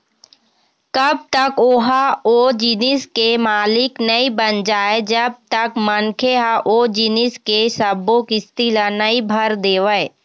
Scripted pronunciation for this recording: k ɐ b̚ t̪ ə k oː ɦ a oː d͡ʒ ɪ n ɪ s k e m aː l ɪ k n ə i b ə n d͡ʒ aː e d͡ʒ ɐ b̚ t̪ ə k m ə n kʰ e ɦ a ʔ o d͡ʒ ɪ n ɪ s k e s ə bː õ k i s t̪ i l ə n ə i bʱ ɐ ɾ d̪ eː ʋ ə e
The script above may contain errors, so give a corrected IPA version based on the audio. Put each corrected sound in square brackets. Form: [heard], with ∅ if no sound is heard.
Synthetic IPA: k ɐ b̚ t̪ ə k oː ɦ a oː d͡ʒ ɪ n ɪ s k e m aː l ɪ k n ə i b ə n d͡ʒ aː e d͡ʒ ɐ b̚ t̪ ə k m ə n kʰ e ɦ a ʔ o d͡ʒ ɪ n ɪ s k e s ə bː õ k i s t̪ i l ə n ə i bʱ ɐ ɾ d̪ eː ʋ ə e